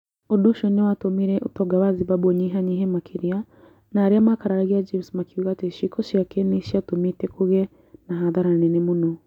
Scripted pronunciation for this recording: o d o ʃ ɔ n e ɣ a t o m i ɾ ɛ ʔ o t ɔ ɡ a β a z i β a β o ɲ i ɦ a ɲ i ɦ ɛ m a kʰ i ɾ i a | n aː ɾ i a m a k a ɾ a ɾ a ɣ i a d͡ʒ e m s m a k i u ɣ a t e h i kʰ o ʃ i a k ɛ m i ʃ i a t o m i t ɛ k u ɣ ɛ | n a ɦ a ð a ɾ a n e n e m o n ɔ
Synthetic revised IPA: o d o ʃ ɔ n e w a t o m i ɾ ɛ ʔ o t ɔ ɡ a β a z i β a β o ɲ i ɦ a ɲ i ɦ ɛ m a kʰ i ɾ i a | n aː ɾ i a m a k a ɾ a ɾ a ɣ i a d͡ʒ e m s m a k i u ɣ a t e ʃ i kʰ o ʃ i a k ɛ n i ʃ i a t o m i t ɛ k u ɣ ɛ | n a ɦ a ð a ɾ a n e n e m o n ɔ